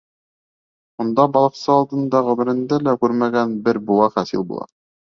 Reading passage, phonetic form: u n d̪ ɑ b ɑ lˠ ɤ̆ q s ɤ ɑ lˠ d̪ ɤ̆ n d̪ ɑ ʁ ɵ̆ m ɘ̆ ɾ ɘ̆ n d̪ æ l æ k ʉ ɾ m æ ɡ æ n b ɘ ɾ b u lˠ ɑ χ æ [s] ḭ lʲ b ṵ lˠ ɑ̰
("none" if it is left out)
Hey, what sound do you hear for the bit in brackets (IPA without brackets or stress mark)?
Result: s